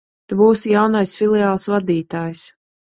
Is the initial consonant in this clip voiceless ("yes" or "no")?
yes